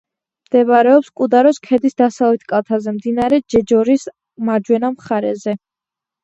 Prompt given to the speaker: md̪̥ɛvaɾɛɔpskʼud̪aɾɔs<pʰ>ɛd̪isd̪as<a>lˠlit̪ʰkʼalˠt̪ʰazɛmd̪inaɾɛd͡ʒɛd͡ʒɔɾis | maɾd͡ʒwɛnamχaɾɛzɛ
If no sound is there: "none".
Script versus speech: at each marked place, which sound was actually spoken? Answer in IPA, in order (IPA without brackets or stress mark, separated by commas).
kʰ, a